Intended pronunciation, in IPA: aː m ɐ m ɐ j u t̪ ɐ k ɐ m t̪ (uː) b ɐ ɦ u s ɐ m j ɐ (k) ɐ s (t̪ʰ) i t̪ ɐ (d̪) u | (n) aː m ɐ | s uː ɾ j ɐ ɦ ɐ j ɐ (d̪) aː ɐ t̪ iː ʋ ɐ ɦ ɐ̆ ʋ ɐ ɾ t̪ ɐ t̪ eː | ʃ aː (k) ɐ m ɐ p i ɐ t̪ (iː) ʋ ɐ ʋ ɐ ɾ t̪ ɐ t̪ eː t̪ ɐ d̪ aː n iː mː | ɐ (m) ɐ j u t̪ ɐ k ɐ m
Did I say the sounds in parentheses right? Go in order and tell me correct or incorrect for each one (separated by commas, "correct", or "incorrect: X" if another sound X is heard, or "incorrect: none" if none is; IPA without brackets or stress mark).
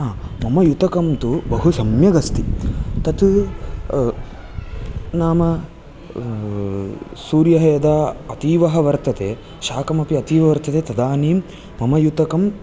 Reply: incorrect: u, incorrect: ɡ, incorrect: t̪, incorrect: t̪, correct, correct, correct, correct, correct